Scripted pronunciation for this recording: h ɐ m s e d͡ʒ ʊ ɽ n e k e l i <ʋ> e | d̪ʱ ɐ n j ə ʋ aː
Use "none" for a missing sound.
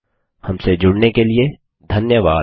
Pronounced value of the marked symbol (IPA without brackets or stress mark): none